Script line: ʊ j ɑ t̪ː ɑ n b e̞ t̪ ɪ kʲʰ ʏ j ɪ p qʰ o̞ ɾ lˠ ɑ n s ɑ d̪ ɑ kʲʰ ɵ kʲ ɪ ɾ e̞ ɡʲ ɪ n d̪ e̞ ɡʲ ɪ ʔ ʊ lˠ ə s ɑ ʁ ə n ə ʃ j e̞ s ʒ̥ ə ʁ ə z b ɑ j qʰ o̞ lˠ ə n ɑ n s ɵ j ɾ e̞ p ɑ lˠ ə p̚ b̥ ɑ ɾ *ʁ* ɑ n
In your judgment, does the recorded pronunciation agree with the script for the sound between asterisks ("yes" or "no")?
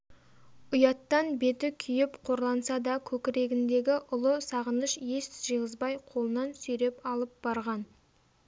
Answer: yes